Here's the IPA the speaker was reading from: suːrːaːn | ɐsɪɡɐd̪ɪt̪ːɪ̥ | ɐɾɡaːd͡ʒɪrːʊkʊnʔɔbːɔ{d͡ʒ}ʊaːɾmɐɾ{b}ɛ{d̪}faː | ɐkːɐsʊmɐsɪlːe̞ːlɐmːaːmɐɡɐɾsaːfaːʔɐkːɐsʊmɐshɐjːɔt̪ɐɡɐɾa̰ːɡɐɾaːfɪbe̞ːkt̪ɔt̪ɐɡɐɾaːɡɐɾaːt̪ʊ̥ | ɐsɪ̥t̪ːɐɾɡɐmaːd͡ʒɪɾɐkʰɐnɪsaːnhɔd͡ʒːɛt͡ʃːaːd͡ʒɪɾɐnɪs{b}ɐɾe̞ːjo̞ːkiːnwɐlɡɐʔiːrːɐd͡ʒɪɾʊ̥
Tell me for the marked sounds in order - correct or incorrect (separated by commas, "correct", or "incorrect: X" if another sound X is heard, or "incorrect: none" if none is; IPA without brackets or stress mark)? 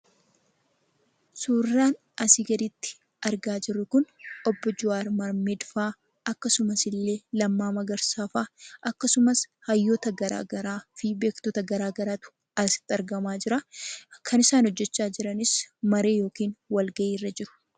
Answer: correct, incorrect: m, correct, incorrect: m